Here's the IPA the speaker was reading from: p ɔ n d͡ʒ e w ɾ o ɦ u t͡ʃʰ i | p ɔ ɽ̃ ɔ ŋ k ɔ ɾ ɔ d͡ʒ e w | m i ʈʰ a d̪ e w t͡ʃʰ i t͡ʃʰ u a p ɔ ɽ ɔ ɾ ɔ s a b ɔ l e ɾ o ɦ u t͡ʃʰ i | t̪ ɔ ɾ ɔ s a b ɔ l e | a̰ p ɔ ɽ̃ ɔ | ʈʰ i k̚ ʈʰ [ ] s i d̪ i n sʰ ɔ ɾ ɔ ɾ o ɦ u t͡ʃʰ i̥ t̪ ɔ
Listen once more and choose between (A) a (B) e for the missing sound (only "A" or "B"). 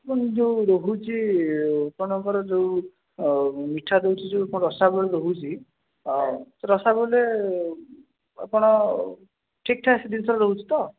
A